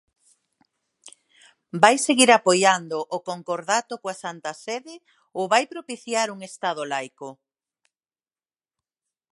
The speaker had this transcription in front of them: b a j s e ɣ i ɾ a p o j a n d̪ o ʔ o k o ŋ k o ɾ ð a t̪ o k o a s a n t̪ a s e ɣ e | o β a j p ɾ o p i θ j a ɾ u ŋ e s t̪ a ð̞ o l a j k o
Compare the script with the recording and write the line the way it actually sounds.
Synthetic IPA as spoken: b a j s e ɣ i ɾ a p o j a n d̪ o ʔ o k o ŋ k o ɾ ð a t̪ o k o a s a n t̪ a s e ð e | o β a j p ɾ o p i θ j a ɾ u ŋ e s t̪ a ð̞ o l a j k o